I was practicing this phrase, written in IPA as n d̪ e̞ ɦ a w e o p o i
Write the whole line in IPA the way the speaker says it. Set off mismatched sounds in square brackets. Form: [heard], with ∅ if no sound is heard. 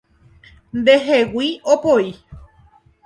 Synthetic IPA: n d̪ e̞ ɦ [e] w [i] o p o i